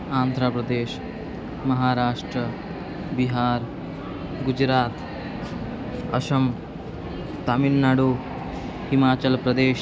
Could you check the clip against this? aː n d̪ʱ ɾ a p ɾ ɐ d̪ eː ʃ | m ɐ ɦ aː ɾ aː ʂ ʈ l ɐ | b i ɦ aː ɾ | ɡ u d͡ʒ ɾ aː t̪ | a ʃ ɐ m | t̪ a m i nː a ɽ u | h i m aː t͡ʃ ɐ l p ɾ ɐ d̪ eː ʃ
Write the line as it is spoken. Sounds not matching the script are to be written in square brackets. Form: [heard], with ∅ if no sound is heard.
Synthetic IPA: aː n d̪ʱ ɾ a p ɾ ɐ d̪ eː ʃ | m ɐ ɦ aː ɾ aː ʂ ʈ [ɾ] ɐ | b i ɦ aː ɾ | ɡ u d͡ʒ ɾ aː t̪ | [ɐ] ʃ ɐ m | t̪ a m i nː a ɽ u | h i m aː t͡ʃ ɐ l p ɾ ɐ d̪ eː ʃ